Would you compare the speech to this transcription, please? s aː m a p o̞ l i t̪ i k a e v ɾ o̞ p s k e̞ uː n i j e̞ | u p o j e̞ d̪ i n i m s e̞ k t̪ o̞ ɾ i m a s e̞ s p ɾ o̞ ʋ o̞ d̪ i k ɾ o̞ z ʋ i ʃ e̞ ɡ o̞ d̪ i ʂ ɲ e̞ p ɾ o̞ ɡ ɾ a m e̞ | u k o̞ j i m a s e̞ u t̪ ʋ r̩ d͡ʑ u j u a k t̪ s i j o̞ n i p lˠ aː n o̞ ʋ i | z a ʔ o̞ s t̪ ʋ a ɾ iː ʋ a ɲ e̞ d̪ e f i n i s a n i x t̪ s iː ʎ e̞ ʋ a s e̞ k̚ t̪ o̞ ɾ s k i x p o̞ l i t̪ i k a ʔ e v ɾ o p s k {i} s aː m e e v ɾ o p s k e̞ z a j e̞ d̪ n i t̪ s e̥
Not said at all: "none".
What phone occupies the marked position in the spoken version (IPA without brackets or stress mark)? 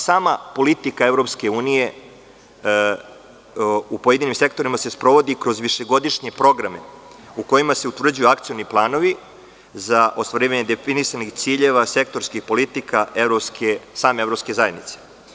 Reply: e